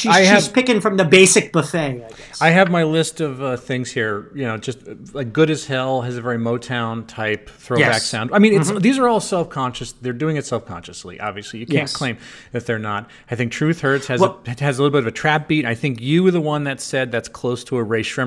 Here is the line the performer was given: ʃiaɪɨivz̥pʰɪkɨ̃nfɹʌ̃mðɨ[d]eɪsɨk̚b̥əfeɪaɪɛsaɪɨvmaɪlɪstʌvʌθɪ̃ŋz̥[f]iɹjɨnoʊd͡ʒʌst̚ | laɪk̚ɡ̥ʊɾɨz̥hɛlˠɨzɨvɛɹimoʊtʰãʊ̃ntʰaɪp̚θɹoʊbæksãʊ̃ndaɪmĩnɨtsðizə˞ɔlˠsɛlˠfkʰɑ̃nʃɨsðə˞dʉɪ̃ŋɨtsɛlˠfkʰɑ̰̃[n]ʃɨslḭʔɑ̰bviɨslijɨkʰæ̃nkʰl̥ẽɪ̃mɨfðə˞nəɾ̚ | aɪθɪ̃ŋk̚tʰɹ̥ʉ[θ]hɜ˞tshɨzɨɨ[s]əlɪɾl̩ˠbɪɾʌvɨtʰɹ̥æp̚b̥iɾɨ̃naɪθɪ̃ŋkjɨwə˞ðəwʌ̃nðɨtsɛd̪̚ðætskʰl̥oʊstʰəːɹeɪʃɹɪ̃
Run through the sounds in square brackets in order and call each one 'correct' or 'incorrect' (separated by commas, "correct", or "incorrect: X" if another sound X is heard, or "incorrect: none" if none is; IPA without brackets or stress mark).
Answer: incorrect: b, incorrect: h, correct, correct, incorrect: z